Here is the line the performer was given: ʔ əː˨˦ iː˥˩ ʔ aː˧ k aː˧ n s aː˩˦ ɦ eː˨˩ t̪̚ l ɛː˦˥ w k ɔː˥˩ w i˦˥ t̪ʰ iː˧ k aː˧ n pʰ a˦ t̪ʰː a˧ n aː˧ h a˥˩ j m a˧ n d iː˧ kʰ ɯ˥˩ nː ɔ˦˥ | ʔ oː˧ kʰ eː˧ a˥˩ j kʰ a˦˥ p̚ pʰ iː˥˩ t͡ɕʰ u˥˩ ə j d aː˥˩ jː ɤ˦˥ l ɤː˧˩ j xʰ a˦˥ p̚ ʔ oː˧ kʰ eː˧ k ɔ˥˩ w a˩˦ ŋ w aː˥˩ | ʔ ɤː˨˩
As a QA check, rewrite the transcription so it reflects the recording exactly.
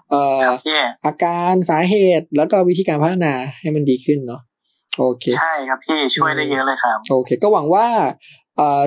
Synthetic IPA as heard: ʔ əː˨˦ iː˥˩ ʔ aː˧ k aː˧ n s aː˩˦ ɦ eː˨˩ t̪̚ l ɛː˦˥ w k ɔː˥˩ w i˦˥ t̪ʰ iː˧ k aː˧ n pʰ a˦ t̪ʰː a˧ n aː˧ h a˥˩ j m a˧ n d iː˧ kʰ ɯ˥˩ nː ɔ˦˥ | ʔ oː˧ kʰ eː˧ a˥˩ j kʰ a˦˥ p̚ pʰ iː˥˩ t͡ɕʰ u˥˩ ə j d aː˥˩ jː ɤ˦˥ l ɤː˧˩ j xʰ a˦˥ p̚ ʔ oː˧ kʰ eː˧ k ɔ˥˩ w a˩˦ ŋ w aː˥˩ | ʔ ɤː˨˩